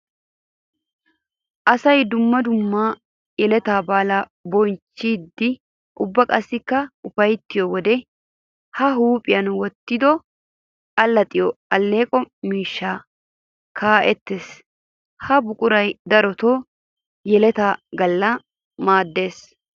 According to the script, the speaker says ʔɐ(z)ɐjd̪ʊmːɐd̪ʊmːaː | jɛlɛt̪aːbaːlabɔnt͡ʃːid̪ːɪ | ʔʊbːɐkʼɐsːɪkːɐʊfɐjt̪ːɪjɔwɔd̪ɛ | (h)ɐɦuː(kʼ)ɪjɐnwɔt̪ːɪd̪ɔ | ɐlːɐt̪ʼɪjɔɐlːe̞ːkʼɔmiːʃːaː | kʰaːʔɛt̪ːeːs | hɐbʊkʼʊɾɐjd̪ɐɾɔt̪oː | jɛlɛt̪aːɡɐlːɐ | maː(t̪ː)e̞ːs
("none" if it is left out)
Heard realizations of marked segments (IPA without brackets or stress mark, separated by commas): s, h, pʼ, d̪ː